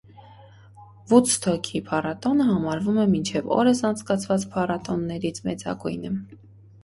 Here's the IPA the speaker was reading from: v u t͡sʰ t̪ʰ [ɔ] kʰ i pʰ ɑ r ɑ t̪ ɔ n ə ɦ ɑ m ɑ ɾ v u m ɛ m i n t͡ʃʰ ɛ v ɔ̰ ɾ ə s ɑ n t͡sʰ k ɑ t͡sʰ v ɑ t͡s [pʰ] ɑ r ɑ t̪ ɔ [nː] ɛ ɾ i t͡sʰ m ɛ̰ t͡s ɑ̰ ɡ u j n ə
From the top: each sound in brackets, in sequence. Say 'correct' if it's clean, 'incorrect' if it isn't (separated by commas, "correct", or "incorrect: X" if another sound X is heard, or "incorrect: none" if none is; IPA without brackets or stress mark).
correct, correct, correct